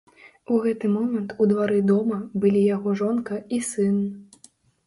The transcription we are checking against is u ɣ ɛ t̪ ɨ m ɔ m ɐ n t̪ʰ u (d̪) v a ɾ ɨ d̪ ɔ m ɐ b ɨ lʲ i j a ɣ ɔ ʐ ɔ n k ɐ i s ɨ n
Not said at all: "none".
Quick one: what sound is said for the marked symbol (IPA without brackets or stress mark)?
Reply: d̪